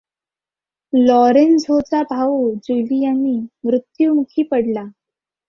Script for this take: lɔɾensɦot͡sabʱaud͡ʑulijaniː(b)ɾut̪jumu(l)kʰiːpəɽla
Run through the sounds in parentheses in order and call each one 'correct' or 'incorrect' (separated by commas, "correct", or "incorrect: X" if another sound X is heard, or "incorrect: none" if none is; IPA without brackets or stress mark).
incorrect: m, incorrect: none